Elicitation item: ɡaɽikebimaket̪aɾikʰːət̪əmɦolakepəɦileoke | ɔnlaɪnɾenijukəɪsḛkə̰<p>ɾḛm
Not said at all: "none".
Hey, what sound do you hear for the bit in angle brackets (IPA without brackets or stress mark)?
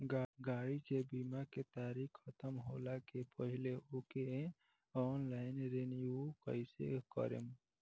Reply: none